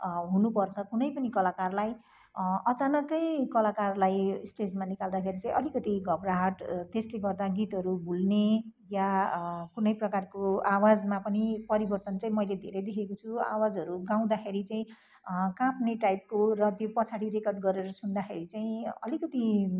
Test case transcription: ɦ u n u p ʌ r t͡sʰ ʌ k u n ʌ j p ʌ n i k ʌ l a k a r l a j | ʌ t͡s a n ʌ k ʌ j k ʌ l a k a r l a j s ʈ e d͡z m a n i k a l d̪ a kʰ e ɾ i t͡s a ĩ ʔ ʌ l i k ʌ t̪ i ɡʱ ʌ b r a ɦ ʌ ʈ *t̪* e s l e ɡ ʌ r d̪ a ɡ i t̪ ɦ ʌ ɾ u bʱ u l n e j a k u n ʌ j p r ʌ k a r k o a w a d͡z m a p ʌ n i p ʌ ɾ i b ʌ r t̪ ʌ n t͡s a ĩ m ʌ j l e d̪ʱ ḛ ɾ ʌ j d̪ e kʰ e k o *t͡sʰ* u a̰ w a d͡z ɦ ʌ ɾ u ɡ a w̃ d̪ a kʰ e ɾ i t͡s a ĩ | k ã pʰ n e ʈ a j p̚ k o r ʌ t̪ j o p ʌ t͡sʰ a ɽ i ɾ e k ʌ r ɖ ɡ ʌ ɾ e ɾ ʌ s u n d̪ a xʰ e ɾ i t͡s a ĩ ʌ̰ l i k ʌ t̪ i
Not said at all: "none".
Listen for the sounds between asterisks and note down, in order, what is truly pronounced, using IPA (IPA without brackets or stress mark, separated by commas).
t̪, t͡sʰ